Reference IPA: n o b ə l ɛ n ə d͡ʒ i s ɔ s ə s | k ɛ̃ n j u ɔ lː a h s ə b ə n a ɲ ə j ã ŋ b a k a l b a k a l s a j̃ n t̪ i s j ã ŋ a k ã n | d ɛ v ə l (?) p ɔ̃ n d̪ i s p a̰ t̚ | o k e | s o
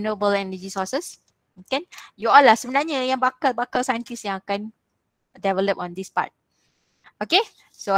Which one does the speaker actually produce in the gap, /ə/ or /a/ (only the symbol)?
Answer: ə